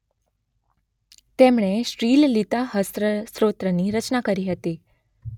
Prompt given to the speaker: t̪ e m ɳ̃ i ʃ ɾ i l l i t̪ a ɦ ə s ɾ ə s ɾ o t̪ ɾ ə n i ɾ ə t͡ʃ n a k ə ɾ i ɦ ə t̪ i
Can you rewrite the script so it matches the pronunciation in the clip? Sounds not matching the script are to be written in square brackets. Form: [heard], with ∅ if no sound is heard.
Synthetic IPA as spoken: t̪ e m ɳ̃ [e] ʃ ɾ i l l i t̪ a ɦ ə s ɾ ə s ɾ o t̪ ɾ ə n i ɾ ə t͡ʃ n a k ə ɾ i ɦ ə t̪ i